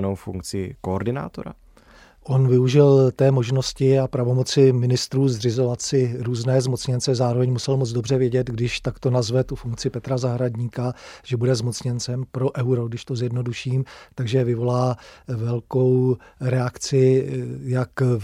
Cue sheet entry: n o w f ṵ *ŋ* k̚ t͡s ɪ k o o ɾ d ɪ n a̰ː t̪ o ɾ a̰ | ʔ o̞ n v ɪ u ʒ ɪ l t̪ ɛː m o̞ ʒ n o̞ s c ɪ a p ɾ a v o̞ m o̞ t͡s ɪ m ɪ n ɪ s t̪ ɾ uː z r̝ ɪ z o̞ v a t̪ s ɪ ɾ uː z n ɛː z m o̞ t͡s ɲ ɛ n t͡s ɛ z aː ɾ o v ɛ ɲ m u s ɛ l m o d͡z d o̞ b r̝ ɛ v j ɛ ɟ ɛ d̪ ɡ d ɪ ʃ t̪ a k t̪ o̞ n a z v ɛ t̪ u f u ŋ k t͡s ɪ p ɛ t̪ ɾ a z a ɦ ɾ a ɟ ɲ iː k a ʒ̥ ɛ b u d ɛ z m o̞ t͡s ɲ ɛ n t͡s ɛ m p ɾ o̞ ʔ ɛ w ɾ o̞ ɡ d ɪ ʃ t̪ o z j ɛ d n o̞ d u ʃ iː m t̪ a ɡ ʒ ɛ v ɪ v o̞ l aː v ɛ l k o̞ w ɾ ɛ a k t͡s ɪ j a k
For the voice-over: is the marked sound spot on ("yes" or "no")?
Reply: yes